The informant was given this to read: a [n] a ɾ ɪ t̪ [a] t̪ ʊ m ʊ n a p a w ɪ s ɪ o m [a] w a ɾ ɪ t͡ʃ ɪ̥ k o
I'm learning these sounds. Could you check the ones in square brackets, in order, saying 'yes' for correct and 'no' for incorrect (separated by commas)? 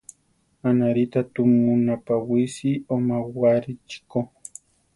yes, yes, yes